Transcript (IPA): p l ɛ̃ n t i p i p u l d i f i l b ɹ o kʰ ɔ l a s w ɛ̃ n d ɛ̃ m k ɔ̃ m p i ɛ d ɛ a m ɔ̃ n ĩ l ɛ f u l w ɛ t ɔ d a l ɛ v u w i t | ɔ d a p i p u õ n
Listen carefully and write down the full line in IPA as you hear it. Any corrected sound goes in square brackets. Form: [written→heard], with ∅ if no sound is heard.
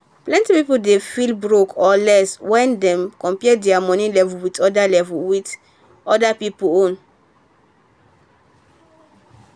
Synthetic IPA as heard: p l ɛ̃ n t i p i p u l d [i→e] f i l b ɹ o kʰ ɔ l [a→ɛ] s w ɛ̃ n d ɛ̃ m k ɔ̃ m p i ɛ d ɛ a m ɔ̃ n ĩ l ɛ [f→v] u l w [ɛ→i] t ɔ d a l ɛ v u w i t | ɔ d a p i p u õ n